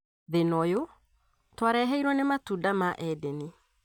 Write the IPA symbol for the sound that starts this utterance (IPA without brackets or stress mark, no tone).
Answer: ð